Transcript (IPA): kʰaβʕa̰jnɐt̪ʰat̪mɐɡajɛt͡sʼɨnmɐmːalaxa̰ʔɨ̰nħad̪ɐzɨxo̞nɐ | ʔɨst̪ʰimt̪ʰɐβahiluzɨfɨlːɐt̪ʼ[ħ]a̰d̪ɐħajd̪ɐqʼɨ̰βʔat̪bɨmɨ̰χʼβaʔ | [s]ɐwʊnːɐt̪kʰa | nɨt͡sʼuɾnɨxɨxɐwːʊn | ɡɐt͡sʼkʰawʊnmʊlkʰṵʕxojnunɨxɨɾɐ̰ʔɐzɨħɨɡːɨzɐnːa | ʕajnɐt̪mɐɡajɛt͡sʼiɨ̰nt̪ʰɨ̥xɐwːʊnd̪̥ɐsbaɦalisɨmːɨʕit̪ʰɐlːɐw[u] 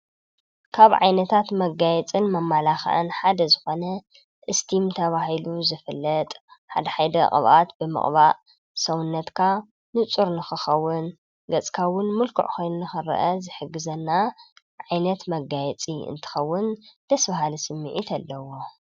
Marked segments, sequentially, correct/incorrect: correct, correct, incorrect: o

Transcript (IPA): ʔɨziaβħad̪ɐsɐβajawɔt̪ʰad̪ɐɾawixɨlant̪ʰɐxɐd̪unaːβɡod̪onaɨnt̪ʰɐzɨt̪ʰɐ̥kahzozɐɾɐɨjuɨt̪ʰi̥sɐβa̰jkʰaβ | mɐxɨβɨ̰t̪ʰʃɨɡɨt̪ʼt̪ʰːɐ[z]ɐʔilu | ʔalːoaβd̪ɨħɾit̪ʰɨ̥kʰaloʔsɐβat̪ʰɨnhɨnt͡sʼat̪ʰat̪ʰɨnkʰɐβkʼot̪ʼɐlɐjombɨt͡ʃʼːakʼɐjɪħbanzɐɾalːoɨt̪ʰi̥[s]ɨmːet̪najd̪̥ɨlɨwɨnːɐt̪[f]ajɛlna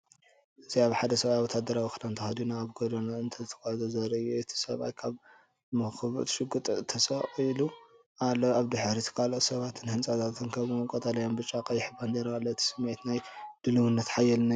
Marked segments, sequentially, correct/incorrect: incorrect: s, correct, incorrect: ħ

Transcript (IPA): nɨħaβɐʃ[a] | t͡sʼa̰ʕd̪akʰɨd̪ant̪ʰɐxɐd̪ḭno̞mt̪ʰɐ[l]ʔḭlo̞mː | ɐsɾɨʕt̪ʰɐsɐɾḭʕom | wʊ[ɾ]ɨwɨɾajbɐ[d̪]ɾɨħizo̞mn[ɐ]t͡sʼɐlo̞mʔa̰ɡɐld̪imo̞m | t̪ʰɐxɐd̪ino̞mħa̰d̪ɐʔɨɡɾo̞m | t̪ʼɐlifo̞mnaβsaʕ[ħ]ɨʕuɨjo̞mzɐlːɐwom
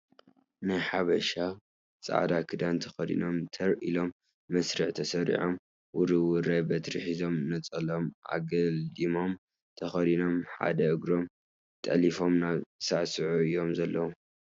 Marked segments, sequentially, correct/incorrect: correct, incorrect: ɾ, correct, incorrect: t̪, correct, incorrect: s

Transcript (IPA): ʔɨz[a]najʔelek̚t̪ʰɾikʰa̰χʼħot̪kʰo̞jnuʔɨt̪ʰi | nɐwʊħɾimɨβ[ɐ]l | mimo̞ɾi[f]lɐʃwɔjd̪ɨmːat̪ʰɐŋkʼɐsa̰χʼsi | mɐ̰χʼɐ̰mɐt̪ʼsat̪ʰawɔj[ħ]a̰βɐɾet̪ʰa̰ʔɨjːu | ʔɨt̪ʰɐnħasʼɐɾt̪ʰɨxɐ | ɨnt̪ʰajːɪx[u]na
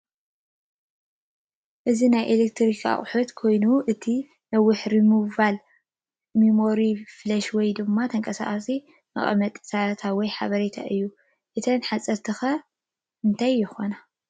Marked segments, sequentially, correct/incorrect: incorrect: i, incorrect: a, correct, correct, incorrect: o

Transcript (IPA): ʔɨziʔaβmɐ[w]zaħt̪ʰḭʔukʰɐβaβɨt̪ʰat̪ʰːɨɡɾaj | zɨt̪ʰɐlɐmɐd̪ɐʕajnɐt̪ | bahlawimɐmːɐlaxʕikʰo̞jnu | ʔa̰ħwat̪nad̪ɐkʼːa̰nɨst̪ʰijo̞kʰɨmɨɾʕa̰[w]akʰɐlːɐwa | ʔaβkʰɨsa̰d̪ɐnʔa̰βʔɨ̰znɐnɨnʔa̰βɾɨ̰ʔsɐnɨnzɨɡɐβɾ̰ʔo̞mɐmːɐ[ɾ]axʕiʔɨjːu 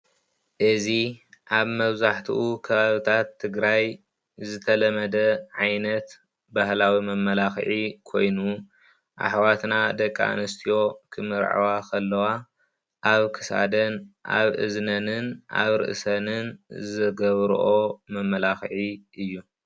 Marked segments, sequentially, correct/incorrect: incorrect: β, correct, incorrect: l

